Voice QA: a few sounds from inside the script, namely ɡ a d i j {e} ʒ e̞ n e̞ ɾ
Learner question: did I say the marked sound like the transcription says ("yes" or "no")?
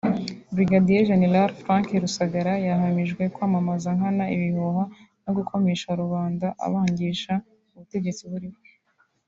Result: yes